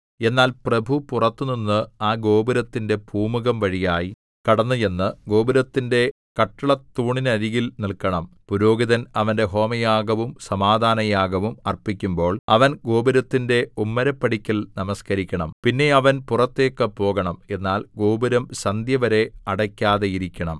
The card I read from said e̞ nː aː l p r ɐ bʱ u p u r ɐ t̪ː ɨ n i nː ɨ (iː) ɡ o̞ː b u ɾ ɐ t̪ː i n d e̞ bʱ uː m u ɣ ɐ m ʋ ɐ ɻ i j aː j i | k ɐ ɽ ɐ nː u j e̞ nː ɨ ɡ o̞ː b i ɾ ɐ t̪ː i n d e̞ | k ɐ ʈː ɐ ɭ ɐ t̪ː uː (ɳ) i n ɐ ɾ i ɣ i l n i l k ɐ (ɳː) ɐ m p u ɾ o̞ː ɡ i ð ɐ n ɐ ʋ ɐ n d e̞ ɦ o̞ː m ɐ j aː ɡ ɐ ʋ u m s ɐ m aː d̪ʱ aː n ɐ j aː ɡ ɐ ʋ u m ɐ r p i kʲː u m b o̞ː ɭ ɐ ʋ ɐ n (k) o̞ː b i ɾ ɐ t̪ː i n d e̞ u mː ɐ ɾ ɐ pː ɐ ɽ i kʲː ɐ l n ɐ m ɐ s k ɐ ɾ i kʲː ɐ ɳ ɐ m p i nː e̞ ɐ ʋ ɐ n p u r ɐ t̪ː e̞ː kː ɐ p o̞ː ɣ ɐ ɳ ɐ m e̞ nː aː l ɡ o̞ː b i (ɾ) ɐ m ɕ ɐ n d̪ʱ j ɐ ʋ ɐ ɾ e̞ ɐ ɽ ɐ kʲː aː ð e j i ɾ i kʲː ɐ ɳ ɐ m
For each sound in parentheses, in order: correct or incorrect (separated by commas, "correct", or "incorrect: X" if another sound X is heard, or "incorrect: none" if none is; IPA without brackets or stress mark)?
incorrect: aː, correct, incorrect: ɳ, incorrect: ɡ, correct